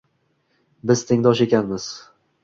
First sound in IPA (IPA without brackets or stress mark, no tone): b